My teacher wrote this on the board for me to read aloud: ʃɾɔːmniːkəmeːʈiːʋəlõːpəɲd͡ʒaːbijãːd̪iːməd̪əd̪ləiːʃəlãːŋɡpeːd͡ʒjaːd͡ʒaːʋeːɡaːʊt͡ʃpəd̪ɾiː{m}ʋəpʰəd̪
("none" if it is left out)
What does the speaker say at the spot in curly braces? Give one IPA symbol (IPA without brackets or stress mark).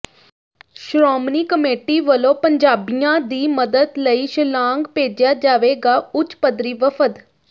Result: none